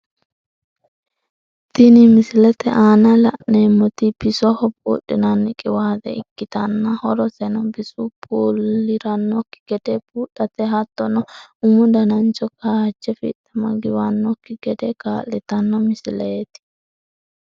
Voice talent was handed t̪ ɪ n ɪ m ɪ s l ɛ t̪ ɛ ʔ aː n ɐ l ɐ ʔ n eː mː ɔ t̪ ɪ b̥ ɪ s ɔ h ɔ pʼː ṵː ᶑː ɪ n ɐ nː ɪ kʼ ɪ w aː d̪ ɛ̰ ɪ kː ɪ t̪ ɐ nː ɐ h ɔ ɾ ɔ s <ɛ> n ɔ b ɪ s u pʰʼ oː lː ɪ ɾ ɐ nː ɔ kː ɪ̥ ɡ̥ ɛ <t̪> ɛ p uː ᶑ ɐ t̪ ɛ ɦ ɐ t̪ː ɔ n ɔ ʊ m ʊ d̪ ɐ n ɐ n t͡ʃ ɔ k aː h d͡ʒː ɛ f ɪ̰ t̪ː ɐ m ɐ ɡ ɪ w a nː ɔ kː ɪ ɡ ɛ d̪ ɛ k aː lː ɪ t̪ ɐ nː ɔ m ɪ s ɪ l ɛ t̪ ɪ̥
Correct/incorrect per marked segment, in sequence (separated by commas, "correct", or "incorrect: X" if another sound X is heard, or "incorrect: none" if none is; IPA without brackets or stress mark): correct, incorrect: d̪